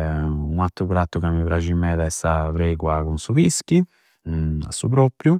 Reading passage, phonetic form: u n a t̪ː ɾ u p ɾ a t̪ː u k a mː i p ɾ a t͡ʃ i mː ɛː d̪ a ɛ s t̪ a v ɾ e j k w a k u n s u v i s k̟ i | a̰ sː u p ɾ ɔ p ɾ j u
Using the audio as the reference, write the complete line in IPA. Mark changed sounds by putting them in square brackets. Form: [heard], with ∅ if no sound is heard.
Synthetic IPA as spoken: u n a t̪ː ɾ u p ɾ a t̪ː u k a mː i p ɾ a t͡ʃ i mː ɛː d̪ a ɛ s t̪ a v ɾ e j k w a k u n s u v i s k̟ i | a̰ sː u p ɾ ɔ p ɾ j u